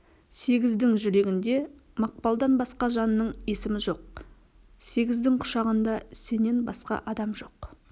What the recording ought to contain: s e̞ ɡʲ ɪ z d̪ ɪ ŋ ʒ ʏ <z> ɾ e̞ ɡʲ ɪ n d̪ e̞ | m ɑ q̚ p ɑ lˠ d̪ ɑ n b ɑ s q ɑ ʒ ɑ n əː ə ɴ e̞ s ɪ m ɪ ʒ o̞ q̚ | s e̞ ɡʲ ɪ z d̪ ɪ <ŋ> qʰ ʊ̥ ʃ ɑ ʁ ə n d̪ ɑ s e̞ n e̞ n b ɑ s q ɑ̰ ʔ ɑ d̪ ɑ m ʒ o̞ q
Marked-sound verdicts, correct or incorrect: incorrect, correct

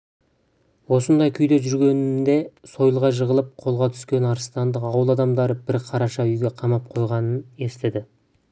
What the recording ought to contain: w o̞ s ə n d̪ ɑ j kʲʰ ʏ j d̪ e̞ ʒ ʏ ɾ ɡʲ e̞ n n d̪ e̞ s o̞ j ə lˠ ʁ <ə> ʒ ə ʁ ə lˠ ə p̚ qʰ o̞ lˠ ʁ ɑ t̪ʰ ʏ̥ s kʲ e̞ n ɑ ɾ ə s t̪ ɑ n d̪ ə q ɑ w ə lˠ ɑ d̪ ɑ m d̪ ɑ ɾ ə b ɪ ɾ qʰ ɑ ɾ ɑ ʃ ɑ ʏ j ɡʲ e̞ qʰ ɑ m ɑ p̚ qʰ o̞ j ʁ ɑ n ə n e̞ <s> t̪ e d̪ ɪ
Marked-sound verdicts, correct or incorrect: incorrect, correct

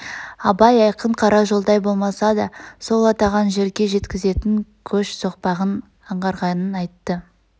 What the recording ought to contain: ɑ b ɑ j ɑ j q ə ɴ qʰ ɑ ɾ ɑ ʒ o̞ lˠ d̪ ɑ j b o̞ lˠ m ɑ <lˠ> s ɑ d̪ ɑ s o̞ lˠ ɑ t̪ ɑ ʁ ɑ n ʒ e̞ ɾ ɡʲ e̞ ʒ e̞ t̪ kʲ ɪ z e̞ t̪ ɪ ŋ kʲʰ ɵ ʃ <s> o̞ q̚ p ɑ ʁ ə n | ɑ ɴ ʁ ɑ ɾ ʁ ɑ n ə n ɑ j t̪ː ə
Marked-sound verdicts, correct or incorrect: incorrect, correct

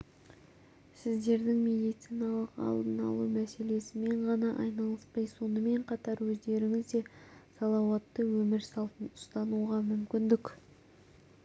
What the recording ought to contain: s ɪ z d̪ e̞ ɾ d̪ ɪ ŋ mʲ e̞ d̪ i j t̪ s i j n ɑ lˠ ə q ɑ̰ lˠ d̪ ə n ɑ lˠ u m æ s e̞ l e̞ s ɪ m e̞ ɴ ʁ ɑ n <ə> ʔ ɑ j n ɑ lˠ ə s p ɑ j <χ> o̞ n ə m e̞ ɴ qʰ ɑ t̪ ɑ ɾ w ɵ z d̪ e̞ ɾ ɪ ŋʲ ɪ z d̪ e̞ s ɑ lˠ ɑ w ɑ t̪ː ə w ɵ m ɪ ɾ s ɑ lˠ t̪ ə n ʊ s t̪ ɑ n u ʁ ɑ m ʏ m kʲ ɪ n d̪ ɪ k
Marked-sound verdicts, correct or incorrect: incorrect, incorrect

